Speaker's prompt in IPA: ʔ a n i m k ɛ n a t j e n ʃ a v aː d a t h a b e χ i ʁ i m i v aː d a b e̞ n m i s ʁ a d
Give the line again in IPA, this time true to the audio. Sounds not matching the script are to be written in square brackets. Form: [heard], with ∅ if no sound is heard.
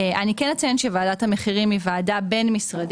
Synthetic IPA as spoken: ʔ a n i [∅] k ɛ n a [t͡s] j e n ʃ [e] v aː d a t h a [m] e χ i ʁ i m i v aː d a b e̞ n m i s ʁ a d